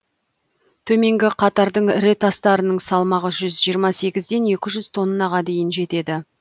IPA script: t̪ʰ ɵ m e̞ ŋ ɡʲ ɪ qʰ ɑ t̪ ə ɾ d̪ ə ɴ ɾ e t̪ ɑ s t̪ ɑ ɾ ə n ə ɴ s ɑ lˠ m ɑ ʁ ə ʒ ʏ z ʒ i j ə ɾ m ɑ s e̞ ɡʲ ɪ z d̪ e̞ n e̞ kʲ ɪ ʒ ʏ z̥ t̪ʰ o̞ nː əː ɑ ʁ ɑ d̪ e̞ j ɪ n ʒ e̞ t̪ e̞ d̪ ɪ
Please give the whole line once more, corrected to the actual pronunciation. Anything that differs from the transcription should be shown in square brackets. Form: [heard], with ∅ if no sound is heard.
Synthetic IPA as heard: t̪ʰ ɵ m e̞ ŋ ɡʲ ɪ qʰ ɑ t̪ [ɑ] ɾ d̪ ə ɴ ɾ e t̪ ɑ s t̪ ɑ ɾ ə n ə ɴ s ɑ lˠ m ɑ ʁ ə ʒ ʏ z ʒ i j ə ɾ m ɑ s e̞ ɡʲ ɪ z d̪ e̞ n e̞ kʲ ɪ ʒ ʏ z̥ t̪ʰ o̞ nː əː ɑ ʁ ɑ d̪ e̞ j ɪ n ʒ e̞ t̪ e̞ d̪ ɪ